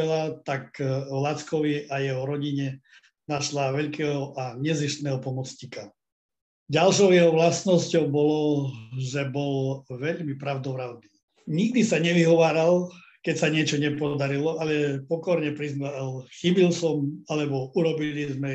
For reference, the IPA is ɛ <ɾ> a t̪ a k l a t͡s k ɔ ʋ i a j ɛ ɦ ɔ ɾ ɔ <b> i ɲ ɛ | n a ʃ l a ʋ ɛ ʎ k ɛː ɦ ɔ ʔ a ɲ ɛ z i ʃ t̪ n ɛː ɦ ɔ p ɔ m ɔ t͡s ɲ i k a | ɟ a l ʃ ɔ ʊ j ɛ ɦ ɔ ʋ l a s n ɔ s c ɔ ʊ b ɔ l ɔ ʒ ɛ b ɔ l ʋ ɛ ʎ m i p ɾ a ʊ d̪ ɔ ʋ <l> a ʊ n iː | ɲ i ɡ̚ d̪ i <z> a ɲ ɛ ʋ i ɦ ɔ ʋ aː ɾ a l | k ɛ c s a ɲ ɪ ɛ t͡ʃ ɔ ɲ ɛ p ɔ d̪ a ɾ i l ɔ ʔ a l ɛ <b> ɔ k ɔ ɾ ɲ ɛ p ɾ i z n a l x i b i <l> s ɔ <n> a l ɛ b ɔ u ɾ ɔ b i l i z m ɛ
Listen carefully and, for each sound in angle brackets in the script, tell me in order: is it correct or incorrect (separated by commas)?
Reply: incorrect, incorrect, incorrect, incorrect, incorrect, correct, incorrect